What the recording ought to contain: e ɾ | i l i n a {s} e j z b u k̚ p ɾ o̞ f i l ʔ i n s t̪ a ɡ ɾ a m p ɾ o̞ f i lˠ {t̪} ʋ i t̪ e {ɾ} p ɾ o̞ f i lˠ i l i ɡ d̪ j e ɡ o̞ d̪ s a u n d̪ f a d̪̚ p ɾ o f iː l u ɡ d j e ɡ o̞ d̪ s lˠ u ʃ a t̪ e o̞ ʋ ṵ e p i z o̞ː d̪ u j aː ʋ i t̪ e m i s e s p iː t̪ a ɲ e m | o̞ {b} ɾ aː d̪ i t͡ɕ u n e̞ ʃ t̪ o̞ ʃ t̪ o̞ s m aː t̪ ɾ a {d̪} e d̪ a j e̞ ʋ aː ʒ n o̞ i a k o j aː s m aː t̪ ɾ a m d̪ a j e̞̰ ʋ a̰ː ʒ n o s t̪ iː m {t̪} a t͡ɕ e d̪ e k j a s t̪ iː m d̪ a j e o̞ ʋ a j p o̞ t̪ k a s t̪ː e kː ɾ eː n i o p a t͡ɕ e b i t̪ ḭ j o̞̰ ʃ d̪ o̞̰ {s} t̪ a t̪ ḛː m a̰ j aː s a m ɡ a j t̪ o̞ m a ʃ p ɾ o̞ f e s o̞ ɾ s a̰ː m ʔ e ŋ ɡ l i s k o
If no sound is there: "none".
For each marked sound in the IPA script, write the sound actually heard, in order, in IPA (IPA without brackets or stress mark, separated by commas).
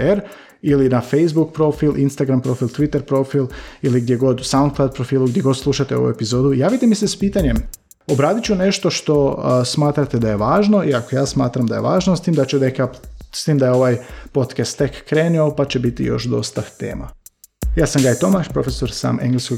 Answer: f, t̪, ɾ, b, t̪, d̪, s